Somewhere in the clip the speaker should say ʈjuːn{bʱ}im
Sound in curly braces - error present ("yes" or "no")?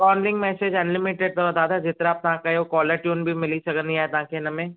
no